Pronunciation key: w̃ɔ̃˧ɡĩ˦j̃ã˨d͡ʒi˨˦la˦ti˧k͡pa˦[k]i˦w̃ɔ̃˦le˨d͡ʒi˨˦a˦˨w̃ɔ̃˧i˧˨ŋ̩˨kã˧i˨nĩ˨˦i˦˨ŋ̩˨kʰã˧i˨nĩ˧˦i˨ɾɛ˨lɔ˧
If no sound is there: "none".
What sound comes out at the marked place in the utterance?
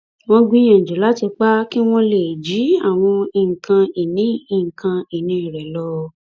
k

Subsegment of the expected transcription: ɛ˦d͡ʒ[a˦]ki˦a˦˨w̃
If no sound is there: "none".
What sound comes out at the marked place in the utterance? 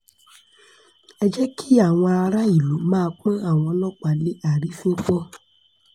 ɛ˦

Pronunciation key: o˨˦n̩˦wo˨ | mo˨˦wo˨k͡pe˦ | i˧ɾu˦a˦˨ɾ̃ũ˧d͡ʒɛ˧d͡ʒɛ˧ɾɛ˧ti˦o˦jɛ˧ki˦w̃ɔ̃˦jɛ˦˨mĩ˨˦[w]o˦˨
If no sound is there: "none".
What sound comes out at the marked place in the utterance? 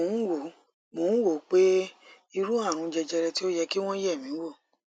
w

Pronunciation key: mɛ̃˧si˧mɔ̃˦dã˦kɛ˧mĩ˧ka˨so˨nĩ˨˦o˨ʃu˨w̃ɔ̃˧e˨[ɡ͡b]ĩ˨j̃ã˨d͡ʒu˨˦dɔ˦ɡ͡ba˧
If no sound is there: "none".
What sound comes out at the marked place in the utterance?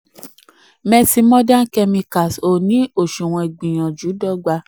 ɡ͡b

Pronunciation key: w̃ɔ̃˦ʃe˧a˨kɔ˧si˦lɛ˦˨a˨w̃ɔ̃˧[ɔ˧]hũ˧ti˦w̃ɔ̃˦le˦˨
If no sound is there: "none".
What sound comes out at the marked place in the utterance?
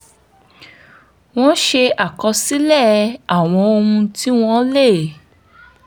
o˧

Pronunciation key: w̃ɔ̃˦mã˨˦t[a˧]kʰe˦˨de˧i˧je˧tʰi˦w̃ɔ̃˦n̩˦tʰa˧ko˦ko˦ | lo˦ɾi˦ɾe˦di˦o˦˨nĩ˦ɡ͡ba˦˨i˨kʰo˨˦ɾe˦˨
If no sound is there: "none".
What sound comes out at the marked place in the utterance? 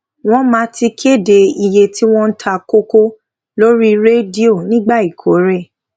i˧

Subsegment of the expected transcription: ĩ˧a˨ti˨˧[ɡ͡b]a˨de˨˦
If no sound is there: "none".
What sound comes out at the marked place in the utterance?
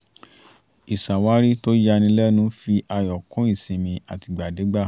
ɡ͡b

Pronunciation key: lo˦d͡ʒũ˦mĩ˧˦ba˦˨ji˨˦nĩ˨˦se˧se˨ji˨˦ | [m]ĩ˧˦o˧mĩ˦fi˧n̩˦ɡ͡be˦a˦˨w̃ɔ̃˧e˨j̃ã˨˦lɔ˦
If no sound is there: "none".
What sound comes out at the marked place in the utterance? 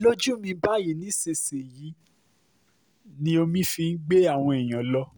n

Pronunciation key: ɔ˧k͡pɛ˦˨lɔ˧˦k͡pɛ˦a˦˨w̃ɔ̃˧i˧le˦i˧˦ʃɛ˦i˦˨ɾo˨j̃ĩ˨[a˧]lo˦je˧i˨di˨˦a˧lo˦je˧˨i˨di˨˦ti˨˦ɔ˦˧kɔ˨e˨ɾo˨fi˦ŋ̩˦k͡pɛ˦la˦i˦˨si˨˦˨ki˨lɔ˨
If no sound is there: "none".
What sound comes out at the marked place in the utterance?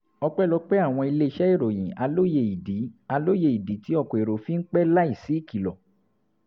a˧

